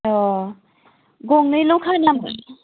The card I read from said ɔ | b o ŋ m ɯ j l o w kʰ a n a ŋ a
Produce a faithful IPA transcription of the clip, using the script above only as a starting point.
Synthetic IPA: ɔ | ɡ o ŋ n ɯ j l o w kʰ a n a m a